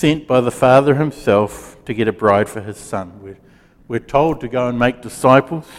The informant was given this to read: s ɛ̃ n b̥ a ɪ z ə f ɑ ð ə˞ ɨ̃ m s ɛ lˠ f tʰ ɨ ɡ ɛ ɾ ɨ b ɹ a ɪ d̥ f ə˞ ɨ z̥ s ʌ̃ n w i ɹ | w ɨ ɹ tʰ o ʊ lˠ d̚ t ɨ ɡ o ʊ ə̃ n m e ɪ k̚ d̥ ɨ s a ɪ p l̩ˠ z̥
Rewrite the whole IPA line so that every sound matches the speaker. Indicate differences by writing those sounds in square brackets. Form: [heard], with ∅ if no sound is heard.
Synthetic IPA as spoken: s ɛ̃ n b̥ a ɪ [ð] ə f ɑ ð ə˞ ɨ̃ m s ɛ lˠ f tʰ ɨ ɡ ɛ ɾ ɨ b ɹ a ɪ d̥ f ə˞ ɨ z̥ s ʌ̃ n w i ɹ | w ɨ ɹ tʰ o ʊ lˠ d̚ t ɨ ɡ o ʊ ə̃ n m e ɪ k̚ d̥ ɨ s a ɪ p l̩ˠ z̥